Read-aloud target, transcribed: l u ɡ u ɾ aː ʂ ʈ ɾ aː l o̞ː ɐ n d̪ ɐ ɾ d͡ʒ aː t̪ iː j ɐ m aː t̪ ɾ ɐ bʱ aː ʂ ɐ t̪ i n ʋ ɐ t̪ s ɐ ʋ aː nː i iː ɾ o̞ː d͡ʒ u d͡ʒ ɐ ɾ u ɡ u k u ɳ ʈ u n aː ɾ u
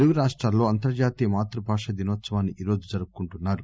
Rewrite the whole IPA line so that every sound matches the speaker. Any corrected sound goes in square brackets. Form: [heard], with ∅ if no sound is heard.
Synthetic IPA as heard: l u ɡ u ɾ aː ʂ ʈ ɾ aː l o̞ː ɐ n [t̪] ɐ ɾ d͡ʒ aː t̪ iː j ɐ m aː t̪ ɾ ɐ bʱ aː ʂ ɐ [d̪] i n ʋ ɐ t̪ s ɐ ʋ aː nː i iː ɾ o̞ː d͡ʒ u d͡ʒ ɐ ɾ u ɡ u k u ɳ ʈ u [nː] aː ɾ u